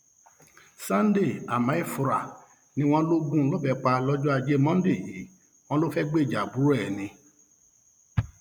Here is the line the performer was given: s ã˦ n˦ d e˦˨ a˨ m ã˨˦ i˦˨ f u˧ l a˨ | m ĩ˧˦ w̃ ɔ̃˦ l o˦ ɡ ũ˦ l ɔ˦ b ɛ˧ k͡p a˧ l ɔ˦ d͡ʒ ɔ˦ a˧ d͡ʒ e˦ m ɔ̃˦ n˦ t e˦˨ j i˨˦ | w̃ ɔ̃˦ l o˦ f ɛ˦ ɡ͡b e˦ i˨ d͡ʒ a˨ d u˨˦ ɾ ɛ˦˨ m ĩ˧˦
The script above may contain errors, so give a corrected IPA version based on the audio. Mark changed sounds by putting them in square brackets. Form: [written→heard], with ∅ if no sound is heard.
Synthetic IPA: s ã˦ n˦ d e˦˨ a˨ m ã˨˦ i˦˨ f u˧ [l→ɾ] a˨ | [m→n] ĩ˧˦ w̃ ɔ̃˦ l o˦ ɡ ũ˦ l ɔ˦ b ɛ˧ k͡p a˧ l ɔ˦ d͡ʒ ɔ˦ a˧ d͡ʒ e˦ m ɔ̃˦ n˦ [t→d] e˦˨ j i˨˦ | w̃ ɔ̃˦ l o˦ f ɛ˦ ɡ͡b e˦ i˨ d͡ʒ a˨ [d→b] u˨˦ ɾ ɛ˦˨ [m→n] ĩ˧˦

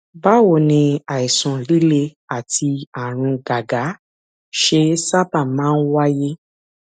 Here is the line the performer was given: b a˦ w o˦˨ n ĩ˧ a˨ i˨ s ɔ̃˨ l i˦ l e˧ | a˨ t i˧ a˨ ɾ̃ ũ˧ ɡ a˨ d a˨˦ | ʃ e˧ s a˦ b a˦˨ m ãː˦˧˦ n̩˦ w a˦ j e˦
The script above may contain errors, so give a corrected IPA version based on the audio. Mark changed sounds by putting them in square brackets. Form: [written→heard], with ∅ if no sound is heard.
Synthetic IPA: b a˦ w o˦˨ n ĩ˧ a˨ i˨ s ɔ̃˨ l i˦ l e˧ | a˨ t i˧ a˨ ɾ̃ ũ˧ ɡ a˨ [d→ɡ] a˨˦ | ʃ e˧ s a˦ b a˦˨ m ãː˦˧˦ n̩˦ w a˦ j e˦

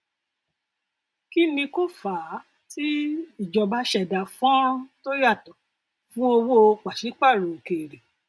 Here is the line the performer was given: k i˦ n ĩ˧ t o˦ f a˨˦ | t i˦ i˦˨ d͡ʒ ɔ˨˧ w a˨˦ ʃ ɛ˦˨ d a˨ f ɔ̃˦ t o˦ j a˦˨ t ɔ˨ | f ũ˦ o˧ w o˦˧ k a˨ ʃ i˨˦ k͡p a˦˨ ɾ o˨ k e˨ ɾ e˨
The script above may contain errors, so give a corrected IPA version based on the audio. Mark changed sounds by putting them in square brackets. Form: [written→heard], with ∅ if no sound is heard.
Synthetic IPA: k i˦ n ĩ˧ [t→k] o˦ f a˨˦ | t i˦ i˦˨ d͡ʒ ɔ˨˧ [w→b] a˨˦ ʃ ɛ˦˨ d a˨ f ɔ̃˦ t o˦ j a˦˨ t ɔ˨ | f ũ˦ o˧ w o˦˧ [k→k͡p] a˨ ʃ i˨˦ k͡p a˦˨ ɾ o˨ k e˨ ɾ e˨

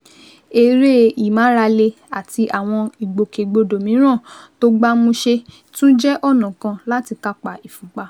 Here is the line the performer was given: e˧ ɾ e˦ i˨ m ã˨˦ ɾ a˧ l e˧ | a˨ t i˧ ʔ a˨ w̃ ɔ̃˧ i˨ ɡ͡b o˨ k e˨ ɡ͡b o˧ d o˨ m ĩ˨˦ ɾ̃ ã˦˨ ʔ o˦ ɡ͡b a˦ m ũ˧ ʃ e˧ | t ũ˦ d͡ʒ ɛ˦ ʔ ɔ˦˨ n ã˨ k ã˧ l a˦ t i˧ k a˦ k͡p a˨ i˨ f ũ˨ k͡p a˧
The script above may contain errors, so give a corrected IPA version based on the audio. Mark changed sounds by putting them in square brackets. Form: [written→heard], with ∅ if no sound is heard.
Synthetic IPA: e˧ ɾ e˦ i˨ m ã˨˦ ɾ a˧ l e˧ | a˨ t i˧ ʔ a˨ w̃ ɔ̃˧ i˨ ɡ͡b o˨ k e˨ ɡ͡b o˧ d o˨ m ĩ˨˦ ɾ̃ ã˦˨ [ʔ→t] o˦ ɡ͡b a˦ m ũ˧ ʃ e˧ | t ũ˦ d͡ʒ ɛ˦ ʔ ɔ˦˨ n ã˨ k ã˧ l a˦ t i˧ k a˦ k͡p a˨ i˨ f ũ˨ k͡p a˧

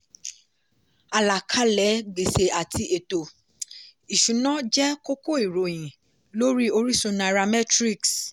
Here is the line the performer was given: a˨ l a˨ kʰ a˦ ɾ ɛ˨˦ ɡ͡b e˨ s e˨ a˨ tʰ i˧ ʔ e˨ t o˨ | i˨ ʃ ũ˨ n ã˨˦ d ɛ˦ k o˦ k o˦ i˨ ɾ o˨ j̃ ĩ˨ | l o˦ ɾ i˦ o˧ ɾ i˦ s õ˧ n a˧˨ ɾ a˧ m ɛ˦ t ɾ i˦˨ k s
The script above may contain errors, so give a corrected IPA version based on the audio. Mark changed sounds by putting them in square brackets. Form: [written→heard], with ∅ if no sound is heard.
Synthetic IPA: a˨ l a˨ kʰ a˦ [ɾ→l] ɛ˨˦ ɡ͡b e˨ s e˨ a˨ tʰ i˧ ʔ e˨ t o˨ | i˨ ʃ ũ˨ n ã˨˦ [d→d͡ʒ] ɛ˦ k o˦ k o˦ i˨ ɾ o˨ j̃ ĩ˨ | l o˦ ɾ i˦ o˧ ɾ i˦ s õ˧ n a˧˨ ɾ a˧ m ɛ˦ t ɾ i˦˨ k s

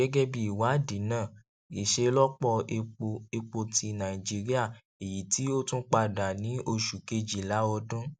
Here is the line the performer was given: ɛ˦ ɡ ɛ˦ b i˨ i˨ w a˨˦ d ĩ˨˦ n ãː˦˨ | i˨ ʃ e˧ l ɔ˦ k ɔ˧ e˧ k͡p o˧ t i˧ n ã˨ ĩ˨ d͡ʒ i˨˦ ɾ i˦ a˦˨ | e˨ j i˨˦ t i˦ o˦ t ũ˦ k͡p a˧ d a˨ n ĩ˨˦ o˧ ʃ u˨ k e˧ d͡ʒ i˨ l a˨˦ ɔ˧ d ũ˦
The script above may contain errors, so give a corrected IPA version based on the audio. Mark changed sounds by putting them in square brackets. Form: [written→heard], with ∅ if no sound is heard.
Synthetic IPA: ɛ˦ ɡ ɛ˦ b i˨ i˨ w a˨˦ d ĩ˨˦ n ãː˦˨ | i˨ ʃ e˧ l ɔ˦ [k→k͡p] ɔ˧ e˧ k͡p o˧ t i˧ n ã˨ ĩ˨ d͡ʒ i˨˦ ɾ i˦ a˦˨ | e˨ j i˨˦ t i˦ o˦ t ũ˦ k͡p a˧ d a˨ n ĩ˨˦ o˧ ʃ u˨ k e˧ d͡ʒ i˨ l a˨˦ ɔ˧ d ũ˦

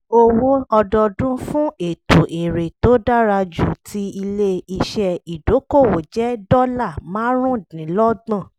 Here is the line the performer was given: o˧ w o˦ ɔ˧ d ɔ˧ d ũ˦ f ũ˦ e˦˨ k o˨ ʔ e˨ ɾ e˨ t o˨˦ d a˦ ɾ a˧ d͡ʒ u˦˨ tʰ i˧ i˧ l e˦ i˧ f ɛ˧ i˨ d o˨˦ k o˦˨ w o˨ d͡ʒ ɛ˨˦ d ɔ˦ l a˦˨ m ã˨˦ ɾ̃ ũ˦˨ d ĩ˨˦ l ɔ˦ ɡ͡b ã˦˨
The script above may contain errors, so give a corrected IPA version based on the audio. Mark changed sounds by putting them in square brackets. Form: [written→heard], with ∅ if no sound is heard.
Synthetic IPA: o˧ w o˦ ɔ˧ d ɔ˧ d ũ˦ f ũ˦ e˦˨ [k→t] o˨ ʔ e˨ ɾ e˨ t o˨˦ d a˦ ɾ a˧ d͡ʒ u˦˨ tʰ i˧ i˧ l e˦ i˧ [f→ʃ] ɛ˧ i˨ d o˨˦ k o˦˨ w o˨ d͡ʒ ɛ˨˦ d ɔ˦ l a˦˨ m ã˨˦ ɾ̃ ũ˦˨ d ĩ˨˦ l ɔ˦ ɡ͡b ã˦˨

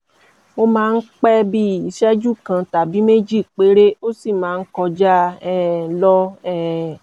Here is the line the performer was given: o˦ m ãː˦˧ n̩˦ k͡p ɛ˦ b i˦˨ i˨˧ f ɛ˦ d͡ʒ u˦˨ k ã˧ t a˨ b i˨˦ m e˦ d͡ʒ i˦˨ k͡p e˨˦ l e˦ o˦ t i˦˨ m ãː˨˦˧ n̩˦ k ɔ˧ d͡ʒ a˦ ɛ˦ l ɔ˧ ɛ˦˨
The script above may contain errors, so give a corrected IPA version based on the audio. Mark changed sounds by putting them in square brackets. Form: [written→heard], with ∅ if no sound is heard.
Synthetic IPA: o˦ m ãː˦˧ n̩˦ k͡p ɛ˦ b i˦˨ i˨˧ [f→ʃ] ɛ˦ d͡ʒ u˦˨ k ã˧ t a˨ b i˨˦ m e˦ d͡ʒ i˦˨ k͡p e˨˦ [l→ɾ] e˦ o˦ [t→s] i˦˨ m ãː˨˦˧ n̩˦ k ɔ˧ d͡ʒ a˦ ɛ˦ l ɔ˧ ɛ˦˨

